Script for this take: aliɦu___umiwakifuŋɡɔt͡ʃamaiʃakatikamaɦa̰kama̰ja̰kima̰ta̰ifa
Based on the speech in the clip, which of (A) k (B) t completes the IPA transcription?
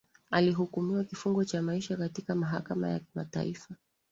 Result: A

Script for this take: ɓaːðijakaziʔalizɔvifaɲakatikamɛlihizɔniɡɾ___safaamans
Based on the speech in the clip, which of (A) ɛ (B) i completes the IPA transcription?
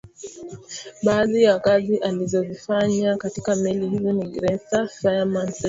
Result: A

